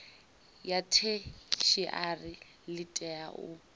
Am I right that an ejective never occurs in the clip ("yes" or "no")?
no